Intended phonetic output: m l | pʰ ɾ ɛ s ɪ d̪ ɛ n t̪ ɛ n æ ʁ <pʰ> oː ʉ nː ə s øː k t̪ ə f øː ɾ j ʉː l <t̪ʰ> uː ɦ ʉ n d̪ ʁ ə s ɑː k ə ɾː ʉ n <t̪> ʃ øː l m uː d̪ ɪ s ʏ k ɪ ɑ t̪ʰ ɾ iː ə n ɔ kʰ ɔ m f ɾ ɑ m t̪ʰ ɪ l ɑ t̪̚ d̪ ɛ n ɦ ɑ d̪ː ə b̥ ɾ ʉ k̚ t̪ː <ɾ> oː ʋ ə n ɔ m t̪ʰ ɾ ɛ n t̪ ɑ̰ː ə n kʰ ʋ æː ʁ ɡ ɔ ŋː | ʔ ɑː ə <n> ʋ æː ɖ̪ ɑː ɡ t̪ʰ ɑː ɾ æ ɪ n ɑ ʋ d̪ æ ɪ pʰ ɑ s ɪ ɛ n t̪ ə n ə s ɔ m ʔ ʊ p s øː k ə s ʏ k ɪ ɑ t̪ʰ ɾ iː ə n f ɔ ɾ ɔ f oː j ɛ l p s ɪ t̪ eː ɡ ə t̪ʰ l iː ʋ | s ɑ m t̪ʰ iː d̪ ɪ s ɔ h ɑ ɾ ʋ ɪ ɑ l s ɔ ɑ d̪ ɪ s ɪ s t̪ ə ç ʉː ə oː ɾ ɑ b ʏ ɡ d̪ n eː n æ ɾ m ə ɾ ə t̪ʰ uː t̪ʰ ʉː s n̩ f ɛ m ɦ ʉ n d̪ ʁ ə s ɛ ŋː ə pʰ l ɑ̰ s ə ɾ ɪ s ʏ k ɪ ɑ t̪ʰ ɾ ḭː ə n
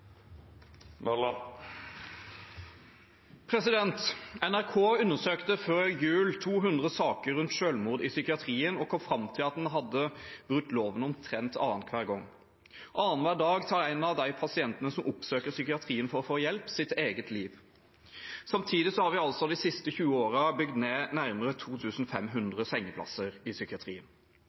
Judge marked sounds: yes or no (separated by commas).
no, yes, yes, no, yes